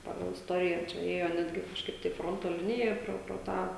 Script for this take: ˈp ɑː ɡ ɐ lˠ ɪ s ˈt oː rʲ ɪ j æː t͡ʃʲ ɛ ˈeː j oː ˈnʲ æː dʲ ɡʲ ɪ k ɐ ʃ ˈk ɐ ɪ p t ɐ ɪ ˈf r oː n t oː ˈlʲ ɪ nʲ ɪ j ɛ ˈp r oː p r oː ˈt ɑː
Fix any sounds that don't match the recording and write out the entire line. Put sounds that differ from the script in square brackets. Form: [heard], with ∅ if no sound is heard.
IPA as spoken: ˈp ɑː ɡ ɐ lˠ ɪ s ˈt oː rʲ ɪ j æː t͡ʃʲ ɛ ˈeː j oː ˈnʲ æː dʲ ɡʲ ɪ k ɐ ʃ ˈk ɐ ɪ p t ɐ ɪ ˈf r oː n t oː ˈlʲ ɪ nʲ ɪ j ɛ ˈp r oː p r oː ˈt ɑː

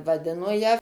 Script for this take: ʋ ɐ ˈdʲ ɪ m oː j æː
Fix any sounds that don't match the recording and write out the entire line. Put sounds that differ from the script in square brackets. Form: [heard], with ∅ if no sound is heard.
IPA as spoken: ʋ ɐ ˈdʲ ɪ [n] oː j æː

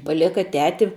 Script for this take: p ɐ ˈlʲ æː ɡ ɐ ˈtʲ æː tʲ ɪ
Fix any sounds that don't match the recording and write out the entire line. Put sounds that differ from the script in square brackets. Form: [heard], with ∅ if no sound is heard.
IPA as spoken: p ɐ ˈlʲ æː [k] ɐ ˈtʲ æː tʲ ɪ

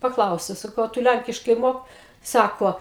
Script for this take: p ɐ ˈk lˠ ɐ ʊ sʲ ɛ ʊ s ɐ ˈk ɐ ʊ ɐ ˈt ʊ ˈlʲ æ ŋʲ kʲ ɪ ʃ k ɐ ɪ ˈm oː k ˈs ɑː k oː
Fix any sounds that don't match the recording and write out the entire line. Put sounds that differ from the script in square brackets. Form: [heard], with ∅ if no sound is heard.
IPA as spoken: p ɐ ˈk lˠ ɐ ʊ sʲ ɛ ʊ s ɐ ˈk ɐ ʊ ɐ ˈt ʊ ˈlʲ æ ŋʲ kʲ ɪ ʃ k ɐ ɪ ˈm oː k ˈs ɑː k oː

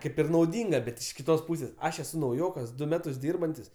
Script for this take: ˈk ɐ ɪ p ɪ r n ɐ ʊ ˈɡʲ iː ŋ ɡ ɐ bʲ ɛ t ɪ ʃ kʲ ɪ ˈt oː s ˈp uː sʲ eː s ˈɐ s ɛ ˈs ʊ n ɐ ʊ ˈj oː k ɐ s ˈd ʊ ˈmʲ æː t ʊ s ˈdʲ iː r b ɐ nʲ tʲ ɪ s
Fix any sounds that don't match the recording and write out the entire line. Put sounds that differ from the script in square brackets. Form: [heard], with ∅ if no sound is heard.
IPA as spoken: ˈk ɐ ɪ p ɪ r n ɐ ʊ [ˈdʲ] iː ŋ ɡ ɐ bʲ ɛ t ɪ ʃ kʲ ɪ ˈt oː s ˈp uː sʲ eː s ˈɐ [ʃ] ɛ ˈs ʊ n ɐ ʊ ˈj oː k ɐ s ˈd ʊ ˈmʲ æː t ʊ s ˈdʲ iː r b ɐ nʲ tʲ ɪ s

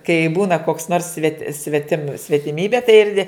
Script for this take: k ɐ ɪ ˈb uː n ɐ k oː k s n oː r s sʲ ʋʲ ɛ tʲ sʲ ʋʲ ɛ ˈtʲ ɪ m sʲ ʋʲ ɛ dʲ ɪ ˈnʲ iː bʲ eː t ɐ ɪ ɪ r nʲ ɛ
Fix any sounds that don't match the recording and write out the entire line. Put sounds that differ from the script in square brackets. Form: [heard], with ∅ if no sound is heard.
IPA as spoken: k ɐ ɪ ˈb uː n ɐ k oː k s n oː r s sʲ ʋʲ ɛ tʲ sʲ ʋʲ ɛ ˈtʲ ɪ m sʲ ʋʲ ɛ [tʲ] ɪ [ˈmʲ] iː bʲ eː t ɐ ɪ ɪ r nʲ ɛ

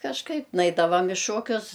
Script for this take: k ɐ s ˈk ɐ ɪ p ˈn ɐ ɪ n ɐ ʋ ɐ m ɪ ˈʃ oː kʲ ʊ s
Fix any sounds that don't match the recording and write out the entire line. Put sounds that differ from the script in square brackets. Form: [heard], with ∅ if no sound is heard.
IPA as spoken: k ɐ [ʃ] ˈk ɐ ɪ p ˈn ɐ ɪ [d] ɐ ʋ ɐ m ɪ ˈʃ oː kʲ ʊ s

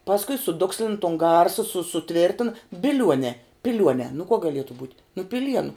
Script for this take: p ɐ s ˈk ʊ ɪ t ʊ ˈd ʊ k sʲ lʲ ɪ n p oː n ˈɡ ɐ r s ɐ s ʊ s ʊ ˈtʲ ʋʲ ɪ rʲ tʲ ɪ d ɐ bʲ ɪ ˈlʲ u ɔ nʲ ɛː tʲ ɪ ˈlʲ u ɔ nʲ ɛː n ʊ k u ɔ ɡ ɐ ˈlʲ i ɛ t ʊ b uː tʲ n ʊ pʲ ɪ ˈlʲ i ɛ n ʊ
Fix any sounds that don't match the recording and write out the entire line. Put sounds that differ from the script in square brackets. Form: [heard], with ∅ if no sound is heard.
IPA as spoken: p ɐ s ˈk ʊ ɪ [s] ʊ ˈd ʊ k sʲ lʲ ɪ n [t] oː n ˈɡ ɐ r s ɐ s ʊ s ʊ ˈtʲ ʋʲ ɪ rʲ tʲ ɪ [n] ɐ bʲ ɪ ˈlʲ u ɔ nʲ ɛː [pʲ] ɪ ˈlʲ u ɔ nʲ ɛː n ʊ k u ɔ ɡ ɐ ˈlʲ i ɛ t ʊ b uː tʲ n ʊ pʲ ɪ ˈlʲ i ɛ n ʊ

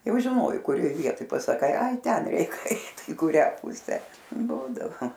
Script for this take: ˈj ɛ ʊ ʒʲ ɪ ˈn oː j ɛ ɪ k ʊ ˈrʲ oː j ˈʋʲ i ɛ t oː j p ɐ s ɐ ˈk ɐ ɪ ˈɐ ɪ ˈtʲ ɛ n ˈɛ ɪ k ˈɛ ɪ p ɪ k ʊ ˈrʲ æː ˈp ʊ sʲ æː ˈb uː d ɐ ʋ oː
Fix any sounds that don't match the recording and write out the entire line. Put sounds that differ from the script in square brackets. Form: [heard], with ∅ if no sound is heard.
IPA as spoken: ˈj ɛ ʊ ʒʲ ɪ ˈn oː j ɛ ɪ k ʊ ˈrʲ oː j ˈʋʲ i ɛ t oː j p ɐ s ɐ ˈk ɐ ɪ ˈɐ ɪ ˈtʲ ɛ n ˈɛ ɪ k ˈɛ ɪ [t] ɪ k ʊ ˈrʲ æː ˈp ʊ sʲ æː ˈb uː d ɐ ʋ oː

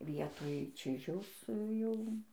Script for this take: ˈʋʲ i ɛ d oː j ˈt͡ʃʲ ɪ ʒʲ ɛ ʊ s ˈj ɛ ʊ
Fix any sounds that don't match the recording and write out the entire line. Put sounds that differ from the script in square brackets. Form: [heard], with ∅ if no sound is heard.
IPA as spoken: ˈʋʲ i ɛ [t] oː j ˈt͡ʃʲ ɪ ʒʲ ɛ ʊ s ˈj ɛ ʊ

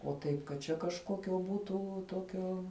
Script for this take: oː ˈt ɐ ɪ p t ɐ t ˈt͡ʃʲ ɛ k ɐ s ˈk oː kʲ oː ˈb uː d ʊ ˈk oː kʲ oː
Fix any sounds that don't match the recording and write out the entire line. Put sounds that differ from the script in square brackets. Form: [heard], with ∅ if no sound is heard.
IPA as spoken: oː ˈt ɐ ɪ p [k] ɐ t ˈt͡ʃʲ ɛ k ɐ [ʃ] ˈk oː kʲ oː ˈb uː [t] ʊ [ˈt] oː kʲ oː

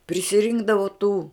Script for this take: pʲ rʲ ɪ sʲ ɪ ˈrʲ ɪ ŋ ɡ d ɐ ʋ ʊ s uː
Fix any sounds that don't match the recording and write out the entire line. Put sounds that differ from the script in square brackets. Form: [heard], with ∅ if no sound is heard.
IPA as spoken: pʲ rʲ ɪ sʲ ɪ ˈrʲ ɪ ŋ ɡ d ɐ ʋ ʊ [t] uː

